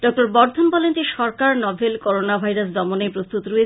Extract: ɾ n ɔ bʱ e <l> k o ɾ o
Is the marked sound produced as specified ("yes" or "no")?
yes